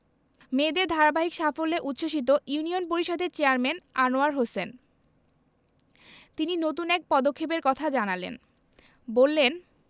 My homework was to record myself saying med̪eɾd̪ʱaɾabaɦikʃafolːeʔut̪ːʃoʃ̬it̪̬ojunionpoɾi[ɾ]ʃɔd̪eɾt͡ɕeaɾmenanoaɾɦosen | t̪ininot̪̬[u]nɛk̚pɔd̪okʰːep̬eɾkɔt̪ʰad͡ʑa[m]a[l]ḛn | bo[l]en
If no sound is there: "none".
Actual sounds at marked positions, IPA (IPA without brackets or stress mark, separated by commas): none, u, n, l, lː